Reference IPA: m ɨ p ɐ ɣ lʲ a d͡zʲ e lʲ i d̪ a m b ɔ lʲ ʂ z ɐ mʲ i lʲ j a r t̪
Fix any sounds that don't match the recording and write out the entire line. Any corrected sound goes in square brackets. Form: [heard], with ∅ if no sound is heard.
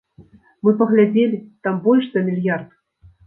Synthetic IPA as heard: m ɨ p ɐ ɣ lʲ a d͡zʲ e lʲ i [t̪] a m b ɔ lʲ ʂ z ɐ mʲ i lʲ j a r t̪